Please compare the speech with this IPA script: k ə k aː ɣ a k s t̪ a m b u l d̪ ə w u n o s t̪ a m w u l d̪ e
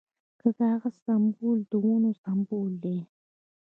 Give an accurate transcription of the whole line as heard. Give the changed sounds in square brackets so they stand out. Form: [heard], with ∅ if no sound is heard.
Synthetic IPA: k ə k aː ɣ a [∅] s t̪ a m b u l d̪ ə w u n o s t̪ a m [b] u l d̪ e